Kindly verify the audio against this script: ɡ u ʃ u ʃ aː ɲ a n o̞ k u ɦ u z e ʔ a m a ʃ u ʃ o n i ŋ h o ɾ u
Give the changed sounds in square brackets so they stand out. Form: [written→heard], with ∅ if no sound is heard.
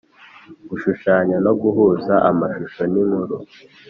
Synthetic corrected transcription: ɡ u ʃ u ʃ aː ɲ a n o̞ [k→ɡ] u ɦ u z [e→a] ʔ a m a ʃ u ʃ o n i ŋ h [o→u] ɾ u